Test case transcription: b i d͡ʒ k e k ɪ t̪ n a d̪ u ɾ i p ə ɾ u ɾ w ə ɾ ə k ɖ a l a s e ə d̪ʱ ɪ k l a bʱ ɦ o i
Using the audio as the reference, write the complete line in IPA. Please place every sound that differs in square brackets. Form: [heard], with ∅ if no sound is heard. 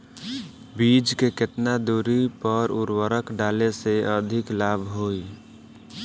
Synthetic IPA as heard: b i d͡ʒ k e k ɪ t̪ n a d̪ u ɾ i p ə ɾ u ɾ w ə ɾ ə k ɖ a l [e] s e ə d̪ʱ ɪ k l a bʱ ɦ o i